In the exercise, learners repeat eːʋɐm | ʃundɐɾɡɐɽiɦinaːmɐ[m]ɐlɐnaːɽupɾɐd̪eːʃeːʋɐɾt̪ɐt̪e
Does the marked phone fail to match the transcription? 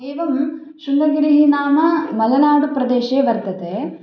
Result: no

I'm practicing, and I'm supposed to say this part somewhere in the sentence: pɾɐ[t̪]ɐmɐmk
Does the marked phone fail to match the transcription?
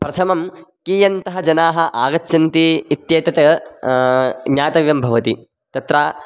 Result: yes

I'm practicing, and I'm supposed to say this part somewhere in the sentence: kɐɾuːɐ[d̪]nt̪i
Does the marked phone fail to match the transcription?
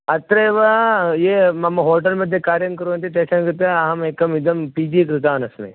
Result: yes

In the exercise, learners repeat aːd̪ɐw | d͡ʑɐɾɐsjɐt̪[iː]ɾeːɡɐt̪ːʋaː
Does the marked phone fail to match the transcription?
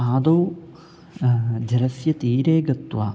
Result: no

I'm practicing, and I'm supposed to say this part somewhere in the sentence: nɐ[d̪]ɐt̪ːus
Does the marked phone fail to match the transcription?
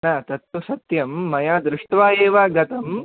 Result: yes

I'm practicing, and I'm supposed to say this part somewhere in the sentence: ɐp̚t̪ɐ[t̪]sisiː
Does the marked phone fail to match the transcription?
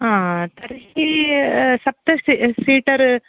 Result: yes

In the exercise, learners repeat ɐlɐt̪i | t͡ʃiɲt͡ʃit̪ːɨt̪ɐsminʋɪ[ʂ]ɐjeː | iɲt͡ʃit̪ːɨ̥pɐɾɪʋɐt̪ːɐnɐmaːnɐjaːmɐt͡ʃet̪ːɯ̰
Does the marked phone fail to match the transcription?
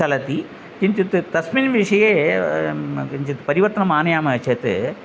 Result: no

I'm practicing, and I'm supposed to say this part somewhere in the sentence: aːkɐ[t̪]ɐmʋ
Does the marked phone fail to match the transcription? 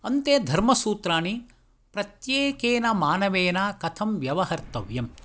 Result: yes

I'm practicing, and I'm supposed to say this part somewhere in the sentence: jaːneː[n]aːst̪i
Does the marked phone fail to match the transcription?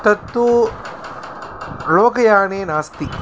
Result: no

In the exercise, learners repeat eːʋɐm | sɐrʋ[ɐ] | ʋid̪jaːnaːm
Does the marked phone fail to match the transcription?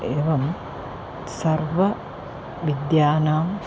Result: no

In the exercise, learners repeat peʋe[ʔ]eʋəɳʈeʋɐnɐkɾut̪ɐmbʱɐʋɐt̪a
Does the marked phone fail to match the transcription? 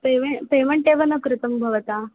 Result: yes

